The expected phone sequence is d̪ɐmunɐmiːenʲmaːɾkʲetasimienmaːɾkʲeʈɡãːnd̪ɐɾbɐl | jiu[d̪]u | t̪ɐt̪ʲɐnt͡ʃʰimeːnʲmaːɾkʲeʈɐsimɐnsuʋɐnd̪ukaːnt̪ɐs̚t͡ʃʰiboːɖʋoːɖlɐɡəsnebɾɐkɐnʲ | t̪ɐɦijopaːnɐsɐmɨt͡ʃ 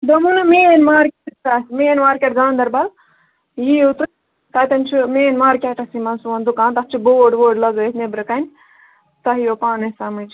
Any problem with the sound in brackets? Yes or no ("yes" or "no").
yes